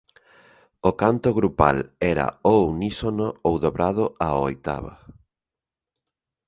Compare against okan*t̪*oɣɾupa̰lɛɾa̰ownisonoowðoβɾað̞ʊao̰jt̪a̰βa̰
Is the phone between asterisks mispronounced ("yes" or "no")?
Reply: no